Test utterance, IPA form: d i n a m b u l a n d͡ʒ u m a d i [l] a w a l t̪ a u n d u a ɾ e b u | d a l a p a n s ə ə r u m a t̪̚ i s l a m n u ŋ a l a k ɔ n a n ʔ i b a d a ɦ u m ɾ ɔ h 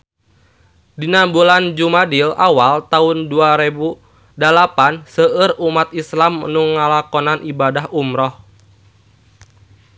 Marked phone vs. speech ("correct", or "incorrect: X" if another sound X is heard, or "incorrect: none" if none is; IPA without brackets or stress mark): correct